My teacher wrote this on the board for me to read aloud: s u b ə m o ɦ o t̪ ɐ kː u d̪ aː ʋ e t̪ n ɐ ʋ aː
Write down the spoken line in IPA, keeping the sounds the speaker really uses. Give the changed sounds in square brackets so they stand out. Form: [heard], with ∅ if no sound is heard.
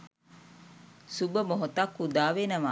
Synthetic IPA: s u b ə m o ɦ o t̪ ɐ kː u d̪ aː ʋ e [∅] n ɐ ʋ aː